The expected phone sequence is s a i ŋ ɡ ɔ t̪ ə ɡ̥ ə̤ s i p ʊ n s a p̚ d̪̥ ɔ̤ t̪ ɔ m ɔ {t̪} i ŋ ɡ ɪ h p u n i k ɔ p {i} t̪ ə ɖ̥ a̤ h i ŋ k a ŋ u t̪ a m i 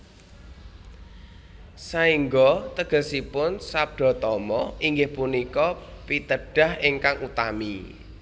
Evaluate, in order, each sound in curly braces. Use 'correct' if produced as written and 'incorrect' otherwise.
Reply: incorrect: none, correct

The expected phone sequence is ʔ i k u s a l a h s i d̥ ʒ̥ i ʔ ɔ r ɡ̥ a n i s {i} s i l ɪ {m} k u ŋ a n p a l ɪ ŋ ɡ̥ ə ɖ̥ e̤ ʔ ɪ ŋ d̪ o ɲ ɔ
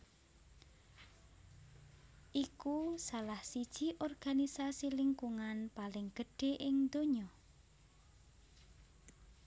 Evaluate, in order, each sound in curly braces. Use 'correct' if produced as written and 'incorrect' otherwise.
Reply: incorrect: a, incorrect: ŋ

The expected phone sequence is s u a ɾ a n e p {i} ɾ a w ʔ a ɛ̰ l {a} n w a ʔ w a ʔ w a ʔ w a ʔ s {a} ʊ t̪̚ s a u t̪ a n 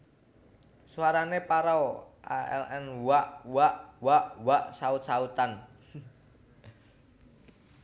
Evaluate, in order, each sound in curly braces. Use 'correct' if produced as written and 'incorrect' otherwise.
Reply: incorrect: a, incorrect: ɛ, correct

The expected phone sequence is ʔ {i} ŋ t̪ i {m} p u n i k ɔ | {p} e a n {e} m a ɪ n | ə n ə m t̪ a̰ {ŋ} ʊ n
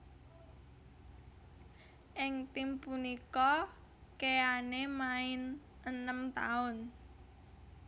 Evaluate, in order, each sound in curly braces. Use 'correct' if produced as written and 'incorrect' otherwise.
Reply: incorrect: ɪ, correct, incorrect: k, correct, incorrect: none

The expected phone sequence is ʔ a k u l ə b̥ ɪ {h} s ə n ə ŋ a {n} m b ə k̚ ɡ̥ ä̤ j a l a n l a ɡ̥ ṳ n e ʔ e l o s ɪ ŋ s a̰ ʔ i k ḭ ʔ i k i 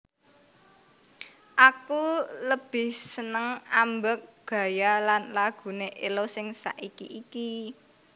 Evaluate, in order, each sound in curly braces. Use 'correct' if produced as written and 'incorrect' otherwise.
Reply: correct, incorrect: none

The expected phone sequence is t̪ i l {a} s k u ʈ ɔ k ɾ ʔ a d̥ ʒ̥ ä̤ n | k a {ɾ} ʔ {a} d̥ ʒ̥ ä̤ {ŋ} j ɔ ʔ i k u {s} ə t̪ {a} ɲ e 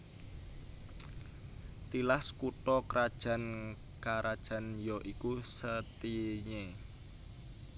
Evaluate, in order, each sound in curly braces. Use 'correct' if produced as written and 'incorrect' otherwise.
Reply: correct, correct, correct, incorrect: n, correct, incorrect: i

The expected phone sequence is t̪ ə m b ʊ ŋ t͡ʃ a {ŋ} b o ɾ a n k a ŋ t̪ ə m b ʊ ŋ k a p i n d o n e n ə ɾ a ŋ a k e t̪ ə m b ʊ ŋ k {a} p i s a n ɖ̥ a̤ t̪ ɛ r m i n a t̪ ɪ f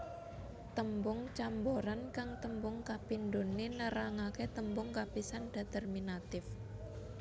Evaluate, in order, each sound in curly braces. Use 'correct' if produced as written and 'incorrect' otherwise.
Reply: incorrect: m, correct

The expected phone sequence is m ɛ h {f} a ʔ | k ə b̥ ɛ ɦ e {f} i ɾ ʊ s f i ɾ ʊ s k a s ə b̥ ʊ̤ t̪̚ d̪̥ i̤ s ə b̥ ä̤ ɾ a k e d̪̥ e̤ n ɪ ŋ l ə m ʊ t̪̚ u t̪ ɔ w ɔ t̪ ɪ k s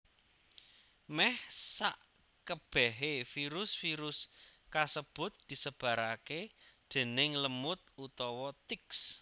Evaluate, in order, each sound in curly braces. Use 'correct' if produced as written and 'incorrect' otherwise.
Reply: incorrect: s, correct

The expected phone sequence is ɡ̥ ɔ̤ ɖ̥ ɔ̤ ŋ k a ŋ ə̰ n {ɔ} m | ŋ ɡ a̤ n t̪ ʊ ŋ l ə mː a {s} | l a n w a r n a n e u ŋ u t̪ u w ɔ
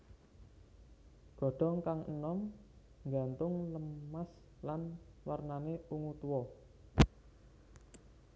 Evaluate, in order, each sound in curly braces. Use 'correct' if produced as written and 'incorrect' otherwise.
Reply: correct, correct

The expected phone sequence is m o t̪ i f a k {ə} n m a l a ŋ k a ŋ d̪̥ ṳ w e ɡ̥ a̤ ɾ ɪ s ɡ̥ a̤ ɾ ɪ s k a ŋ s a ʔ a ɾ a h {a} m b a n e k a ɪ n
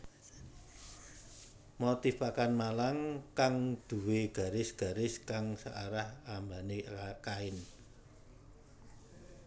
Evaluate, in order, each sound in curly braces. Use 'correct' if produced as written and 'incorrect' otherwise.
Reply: incorrect: a, correct

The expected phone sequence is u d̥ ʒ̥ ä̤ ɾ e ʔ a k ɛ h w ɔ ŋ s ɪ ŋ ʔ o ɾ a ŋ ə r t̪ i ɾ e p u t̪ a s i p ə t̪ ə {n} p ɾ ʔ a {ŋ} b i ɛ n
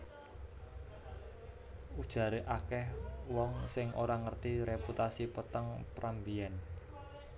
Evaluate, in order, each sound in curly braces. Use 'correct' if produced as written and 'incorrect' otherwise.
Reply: incorrect: ŋ, incorrect: m

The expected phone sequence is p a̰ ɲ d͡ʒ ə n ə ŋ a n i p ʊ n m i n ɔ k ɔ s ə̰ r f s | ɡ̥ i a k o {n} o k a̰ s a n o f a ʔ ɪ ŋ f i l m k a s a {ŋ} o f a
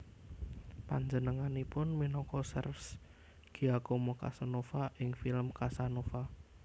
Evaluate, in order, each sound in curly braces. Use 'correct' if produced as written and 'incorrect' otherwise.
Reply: incorrect: m, incorrect: n

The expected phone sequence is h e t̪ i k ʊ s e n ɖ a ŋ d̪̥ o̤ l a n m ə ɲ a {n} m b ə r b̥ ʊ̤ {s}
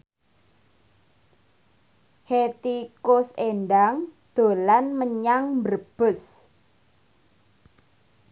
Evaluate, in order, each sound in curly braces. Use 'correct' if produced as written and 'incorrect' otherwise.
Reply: incorrect: ŋ, correct

